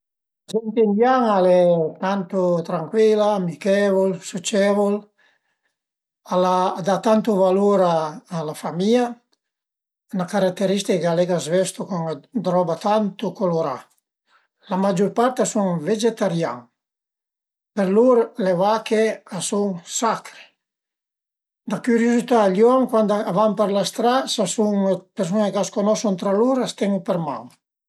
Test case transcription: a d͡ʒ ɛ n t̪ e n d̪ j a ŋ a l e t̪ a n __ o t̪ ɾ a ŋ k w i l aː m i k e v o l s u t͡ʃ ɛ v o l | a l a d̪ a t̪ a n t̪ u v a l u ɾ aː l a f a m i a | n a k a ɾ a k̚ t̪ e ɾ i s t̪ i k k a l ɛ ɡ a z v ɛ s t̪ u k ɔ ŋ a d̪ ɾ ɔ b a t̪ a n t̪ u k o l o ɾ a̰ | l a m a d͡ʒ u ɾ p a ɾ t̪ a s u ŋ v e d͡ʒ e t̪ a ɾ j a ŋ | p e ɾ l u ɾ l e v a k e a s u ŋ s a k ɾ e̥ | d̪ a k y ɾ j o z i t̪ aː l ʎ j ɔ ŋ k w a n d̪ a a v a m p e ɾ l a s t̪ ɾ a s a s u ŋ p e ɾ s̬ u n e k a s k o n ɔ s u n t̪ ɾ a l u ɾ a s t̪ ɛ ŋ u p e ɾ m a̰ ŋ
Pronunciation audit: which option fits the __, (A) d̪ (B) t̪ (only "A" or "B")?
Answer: B